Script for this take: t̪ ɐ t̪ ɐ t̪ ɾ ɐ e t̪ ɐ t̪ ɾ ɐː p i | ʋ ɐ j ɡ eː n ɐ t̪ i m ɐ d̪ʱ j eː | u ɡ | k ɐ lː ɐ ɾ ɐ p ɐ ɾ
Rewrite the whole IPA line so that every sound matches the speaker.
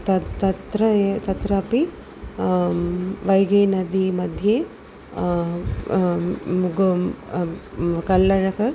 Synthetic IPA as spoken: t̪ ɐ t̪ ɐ t̪ ɾ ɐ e t̪ ɐ t̪ ɾ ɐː p i | ʋ ɐ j ɡ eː n ɐ d̪ i m ɐ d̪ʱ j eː | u ɡ | k ɐ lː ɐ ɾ ɐ k ɐ ɾ